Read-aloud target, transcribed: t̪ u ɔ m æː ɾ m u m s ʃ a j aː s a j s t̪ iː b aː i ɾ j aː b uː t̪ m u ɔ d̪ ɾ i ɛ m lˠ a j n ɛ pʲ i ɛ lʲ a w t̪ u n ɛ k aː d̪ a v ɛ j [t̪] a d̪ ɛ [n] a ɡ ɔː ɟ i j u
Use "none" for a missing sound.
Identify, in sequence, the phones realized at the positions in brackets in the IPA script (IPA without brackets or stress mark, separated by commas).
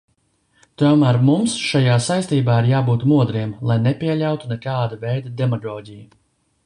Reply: d̪, m